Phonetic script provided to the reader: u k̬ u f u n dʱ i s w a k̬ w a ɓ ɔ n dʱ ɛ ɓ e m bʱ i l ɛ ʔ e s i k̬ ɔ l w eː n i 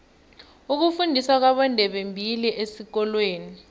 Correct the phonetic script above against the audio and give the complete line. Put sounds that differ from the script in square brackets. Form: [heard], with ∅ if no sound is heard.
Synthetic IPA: u k̬ u f u n dʱ i s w a k̬ w a ɓ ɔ n dʱ ɛ ɓ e m bʱ i l [i] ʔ e s i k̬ ɔ l w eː n i